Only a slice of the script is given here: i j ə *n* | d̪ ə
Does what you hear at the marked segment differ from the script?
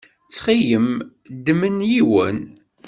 yes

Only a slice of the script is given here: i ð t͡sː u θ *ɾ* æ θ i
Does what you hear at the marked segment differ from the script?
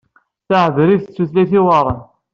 yes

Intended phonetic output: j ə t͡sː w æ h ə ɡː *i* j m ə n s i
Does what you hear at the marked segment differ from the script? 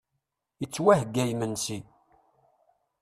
yes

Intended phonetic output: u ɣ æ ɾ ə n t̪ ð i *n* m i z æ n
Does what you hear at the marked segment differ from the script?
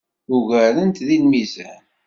no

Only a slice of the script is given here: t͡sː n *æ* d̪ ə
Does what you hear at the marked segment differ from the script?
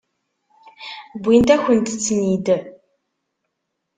yes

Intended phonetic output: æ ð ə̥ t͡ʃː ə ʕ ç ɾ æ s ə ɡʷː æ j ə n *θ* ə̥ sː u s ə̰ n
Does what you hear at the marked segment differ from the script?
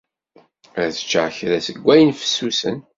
yes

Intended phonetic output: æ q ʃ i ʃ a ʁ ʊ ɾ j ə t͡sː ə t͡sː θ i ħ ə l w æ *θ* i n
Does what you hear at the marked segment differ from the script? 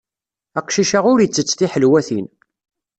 no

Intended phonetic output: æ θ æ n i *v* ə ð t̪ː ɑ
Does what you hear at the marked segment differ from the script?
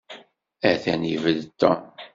no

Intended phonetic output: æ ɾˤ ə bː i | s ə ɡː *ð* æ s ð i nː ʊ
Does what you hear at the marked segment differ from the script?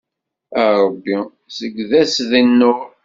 no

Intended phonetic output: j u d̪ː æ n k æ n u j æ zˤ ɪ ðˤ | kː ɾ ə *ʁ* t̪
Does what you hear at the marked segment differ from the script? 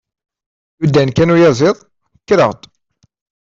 no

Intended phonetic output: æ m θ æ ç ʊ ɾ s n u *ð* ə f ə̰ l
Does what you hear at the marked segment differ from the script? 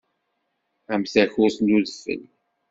no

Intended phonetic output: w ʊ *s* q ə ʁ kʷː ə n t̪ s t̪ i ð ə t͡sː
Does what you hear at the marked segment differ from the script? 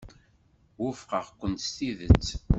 yes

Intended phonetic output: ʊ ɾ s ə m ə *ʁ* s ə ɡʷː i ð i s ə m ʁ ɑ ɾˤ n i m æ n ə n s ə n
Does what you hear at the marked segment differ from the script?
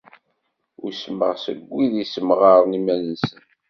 no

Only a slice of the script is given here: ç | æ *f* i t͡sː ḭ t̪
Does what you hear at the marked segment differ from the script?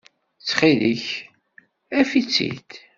no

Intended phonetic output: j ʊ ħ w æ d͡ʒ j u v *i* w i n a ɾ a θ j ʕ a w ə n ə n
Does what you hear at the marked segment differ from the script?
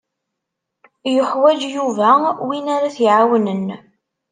yes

